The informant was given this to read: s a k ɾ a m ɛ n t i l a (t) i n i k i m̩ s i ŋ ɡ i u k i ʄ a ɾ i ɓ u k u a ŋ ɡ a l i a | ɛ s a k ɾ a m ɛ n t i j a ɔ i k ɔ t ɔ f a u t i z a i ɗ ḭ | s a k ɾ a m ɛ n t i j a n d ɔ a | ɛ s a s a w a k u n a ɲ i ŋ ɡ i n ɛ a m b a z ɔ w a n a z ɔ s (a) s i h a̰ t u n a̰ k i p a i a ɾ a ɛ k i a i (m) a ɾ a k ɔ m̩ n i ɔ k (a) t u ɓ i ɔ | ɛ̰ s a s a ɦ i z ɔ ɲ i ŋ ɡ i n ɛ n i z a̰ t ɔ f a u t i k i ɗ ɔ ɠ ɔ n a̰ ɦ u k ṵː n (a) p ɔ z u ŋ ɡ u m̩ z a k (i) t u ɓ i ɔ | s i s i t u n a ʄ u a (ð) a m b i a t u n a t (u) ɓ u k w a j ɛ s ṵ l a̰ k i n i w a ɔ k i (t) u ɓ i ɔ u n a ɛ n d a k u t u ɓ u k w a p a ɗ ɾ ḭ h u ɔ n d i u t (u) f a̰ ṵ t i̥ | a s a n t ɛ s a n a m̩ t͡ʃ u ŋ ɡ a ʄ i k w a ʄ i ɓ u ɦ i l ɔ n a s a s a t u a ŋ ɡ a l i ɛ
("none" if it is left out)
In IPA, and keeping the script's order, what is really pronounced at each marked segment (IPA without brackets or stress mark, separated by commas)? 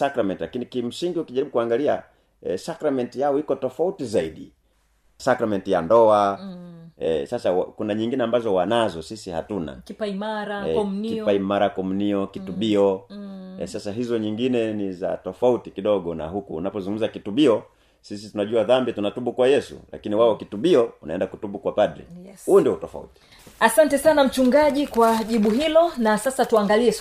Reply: k, i, m, i, a, i, ð, u, t, ɔ